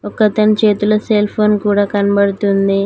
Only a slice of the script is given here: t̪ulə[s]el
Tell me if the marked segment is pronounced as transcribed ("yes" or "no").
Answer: yes